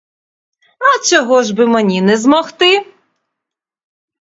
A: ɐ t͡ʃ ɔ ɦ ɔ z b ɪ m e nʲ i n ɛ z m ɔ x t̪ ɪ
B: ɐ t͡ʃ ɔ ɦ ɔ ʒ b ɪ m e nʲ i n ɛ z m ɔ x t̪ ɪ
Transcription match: B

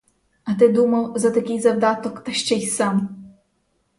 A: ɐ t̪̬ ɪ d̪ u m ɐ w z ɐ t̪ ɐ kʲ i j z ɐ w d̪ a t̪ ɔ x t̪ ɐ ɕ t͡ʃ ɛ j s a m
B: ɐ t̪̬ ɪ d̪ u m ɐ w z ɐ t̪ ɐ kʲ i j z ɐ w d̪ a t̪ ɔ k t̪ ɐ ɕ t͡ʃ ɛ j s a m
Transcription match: B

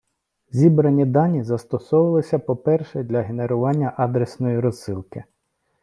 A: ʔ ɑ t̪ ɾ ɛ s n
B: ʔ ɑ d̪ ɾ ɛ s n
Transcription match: B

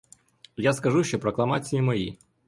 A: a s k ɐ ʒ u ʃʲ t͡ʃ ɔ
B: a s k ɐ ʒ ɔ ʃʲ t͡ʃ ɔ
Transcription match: A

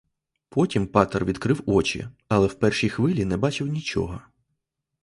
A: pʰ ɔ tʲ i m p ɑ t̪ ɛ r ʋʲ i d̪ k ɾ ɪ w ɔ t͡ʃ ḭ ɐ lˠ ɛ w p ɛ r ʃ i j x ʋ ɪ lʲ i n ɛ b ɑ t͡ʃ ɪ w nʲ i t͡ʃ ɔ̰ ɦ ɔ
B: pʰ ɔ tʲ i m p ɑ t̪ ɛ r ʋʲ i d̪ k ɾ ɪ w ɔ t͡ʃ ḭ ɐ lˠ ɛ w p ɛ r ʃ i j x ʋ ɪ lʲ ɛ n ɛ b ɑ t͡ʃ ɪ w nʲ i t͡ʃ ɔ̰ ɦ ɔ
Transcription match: A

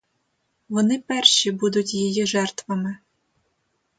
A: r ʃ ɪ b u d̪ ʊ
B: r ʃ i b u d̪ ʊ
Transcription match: B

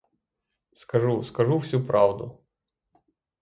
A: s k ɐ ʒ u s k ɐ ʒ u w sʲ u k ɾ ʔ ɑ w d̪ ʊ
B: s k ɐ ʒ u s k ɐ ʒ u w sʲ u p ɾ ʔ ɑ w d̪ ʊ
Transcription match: B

